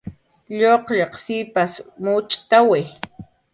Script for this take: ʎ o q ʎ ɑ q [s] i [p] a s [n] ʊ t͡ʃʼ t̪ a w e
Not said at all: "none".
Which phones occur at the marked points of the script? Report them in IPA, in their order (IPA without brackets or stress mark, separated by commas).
s, p, m